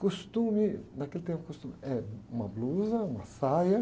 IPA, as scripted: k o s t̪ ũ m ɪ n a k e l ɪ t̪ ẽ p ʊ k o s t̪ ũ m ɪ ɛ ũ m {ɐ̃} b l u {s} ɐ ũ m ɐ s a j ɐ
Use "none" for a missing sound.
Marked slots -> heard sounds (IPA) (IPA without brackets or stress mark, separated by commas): ɐ, z